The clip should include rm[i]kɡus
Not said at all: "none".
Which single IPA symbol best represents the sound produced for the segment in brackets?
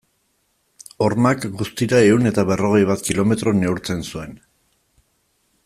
a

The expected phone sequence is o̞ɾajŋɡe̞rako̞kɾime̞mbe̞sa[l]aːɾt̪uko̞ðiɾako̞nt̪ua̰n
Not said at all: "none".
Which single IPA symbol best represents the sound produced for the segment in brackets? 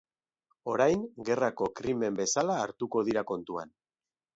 l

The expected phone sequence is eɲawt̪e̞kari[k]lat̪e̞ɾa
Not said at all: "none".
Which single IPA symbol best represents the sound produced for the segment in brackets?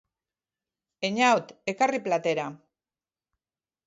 p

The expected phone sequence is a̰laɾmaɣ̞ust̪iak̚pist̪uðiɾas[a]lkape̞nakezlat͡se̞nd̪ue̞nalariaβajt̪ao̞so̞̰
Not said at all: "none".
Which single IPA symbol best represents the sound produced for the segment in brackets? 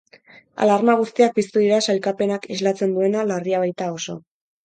a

